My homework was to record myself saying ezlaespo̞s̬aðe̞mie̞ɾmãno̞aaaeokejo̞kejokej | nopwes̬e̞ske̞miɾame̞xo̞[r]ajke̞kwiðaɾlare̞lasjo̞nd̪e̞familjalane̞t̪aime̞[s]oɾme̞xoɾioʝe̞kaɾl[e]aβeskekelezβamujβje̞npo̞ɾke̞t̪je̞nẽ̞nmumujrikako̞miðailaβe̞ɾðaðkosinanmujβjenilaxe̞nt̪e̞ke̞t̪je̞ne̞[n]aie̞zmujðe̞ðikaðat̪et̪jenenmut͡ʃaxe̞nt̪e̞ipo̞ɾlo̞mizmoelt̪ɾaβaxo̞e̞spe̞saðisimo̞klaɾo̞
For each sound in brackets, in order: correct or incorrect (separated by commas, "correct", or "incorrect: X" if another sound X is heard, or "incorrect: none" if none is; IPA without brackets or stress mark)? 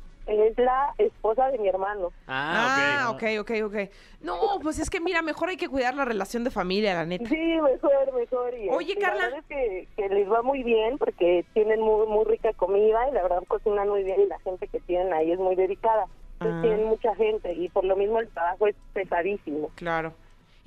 incorrect: ɾ, incorrect: x, incorrect: a, correct